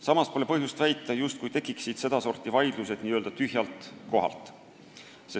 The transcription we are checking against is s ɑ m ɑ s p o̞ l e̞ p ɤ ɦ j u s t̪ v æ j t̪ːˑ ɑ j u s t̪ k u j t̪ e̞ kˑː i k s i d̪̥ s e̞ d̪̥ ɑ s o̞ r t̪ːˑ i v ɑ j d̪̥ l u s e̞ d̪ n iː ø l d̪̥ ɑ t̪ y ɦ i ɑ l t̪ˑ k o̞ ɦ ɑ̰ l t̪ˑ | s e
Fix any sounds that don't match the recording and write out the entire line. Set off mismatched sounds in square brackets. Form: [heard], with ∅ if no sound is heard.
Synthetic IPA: s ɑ m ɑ s p o̞ l e̞ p ɤ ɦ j u s t̪ v æ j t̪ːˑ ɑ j u s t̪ k u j t̪ e̞ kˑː i k s i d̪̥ s e̞ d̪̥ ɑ s o̞ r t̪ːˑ i v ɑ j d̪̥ l u s e̞ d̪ n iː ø l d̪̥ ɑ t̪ y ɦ [j] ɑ l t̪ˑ k o̞ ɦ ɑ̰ l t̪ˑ | s e